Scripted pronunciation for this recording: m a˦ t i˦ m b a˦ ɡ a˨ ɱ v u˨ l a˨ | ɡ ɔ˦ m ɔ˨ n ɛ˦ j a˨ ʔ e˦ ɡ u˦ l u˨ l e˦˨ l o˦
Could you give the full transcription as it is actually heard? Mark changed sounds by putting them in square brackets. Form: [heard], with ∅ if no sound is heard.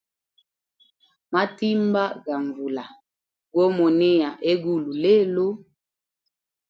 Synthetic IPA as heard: m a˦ t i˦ m b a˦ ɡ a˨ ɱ v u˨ l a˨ | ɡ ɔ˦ m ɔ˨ n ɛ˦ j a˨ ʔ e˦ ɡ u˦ l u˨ l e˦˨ l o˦